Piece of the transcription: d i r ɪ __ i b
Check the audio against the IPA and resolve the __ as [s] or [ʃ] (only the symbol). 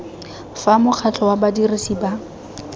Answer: s